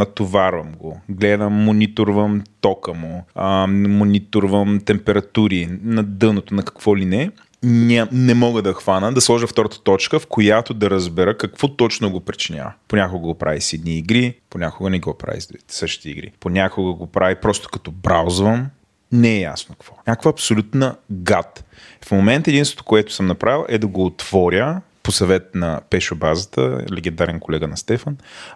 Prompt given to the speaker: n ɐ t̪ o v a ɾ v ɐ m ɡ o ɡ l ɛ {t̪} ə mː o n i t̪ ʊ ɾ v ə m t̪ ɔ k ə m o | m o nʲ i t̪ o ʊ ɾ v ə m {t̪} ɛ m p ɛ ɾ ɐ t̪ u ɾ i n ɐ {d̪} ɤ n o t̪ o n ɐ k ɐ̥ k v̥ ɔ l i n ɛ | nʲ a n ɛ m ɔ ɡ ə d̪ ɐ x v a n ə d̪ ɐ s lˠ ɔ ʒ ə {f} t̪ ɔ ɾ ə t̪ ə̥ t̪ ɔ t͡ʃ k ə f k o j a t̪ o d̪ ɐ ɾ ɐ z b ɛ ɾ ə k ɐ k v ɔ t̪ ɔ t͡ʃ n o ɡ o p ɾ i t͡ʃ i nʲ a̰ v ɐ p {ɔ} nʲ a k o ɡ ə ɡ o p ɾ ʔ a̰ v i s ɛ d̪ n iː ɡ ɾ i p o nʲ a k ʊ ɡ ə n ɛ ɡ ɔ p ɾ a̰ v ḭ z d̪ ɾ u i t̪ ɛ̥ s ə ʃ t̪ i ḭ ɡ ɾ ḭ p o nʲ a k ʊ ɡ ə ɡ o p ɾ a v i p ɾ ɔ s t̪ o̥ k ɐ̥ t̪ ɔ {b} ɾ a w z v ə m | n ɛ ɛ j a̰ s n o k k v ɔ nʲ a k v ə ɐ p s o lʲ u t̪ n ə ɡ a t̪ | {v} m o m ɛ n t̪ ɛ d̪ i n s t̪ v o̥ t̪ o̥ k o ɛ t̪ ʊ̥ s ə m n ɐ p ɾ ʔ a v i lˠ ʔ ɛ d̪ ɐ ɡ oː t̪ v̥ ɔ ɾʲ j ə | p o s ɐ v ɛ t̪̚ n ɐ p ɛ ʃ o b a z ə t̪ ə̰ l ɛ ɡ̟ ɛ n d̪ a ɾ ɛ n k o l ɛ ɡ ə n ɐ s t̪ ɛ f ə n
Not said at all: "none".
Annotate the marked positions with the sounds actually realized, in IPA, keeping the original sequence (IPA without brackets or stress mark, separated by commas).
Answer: d̪, t̪, d̪, f, o, b, f